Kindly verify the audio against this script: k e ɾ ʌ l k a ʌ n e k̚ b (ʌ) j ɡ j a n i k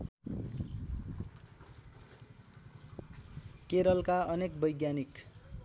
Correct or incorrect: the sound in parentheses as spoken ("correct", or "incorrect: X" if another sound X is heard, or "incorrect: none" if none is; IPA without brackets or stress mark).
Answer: correct